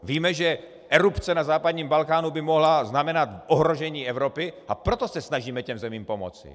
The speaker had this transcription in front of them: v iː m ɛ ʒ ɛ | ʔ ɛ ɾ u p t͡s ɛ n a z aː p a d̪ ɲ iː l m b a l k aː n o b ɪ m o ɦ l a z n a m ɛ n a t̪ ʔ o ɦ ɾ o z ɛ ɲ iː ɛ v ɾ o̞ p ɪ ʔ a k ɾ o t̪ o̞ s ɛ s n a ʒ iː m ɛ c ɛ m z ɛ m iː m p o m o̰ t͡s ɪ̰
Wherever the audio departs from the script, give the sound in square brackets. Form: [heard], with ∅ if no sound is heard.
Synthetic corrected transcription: v iː m ɛ ʒ ɛ | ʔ ɛ ɾ u p t͡s ɛ n a z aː p a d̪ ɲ iː [∅] m b a l k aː n [u] b ɪ m o ɦ l a z n a m ɛ n a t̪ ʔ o ɦ ɾ o [ʒ] ɛ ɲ iː ɛ v ɾ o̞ p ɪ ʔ a [p] ɾ o t̪ o̞ s ɛ s n a ʒ iː m ɛ c ɛ m z ɛ m iː m p o m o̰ t͡s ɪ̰